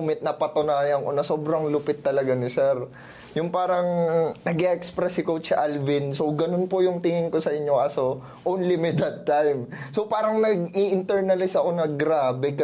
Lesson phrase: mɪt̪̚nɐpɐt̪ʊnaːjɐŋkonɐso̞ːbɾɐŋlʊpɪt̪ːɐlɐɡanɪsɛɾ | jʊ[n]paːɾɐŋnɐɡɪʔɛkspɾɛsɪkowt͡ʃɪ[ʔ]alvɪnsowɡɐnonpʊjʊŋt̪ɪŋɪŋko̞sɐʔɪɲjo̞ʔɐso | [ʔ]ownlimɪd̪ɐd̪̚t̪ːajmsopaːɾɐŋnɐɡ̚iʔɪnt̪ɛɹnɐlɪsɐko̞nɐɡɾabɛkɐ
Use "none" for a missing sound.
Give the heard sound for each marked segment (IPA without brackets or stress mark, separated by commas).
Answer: ŋ, ʔ, ʔ